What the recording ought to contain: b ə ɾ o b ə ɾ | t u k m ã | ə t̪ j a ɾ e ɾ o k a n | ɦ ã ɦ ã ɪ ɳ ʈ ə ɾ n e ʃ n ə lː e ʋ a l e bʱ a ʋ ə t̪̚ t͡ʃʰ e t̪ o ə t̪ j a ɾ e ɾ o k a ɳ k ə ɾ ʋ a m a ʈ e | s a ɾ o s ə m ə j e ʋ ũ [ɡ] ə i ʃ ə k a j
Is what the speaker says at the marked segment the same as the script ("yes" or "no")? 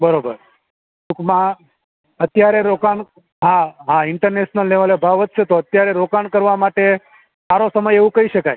no